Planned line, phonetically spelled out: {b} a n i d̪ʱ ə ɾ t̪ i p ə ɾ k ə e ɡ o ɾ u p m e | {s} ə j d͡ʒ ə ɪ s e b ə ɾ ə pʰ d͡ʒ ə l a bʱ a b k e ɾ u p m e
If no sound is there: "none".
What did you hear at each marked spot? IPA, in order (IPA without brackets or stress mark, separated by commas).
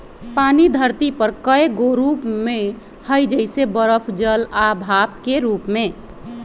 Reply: p, h